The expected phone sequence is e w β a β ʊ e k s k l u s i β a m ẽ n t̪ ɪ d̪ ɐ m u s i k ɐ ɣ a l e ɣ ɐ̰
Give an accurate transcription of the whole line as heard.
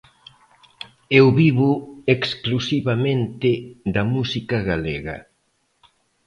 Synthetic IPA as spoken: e w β i β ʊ e k s k l u s i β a m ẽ n t̪ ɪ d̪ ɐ m u s i k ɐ ɣ a l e ɣ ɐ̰